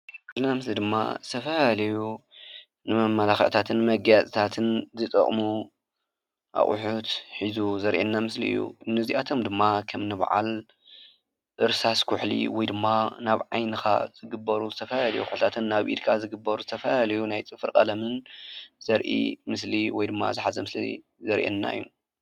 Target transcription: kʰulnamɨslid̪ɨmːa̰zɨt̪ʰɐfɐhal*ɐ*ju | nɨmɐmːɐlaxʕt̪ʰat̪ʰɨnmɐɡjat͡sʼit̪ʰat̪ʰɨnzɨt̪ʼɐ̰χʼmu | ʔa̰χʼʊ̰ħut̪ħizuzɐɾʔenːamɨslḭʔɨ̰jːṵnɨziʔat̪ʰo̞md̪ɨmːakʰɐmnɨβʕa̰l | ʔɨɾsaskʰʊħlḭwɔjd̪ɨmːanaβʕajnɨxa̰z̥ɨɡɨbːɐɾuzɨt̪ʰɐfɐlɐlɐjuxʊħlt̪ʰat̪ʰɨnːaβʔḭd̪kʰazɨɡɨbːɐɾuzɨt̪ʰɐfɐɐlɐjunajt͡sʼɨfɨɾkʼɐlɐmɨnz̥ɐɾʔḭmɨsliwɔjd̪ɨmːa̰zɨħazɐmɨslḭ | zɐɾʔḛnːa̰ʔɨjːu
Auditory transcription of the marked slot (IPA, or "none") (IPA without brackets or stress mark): ɐ